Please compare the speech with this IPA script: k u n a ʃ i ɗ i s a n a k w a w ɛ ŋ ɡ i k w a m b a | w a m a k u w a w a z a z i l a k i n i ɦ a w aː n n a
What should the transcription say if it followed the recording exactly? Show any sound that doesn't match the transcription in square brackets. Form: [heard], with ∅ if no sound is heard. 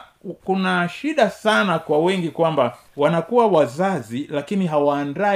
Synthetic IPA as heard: k u n a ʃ i ɗ [a] s a n a k w a w ɛ ŋ ɡ i k w a m b a | w a [n] a k u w a w a z a z i l a k i n i ɦ a w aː n [d] a